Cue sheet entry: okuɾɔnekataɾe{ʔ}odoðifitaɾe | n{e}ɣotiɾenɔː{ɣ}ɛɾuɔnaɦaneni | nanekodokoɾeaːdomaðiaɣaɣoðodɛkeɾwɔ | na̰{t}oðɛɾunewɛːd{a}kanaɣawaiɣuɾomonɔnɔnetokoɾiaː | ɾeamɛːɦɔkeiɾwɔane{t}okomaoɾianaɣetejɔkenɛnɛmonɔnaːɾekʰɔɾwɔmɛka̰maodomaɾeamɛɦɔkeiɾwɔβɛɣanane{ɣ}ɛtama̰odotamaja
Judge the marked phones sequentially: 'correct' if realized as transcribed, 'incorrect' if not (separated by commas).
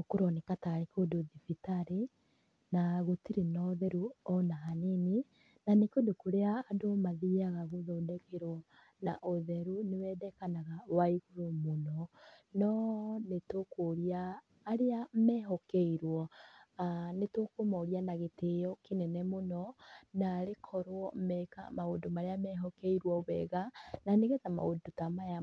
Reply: incorrect, incorrect, incorrect, incorrect, incorrect, correct, correct